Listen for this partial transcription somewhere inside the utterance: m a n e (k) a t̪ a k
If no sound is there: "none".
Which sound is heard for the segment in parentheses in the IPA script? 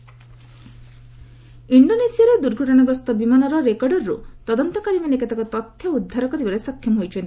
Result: k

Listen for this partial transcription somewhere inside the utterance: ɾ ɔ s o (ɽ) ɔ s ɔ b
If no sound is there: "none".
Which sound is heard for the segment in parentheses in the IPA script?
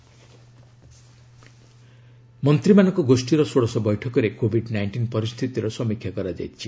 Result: ɽ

